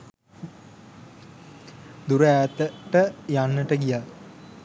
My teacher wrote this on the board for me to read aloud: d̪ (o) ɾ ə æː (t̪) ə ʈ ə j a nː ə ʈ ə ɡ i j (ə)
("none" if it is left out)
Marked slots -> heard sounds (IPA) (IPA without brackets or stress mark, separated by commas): u, t̪, a